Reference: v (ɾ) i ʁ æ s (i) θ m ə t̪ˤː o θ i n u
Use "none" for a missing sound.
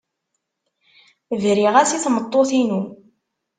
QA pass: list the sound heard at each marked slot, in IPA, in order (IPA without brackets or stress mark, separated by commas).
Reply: ɾ, i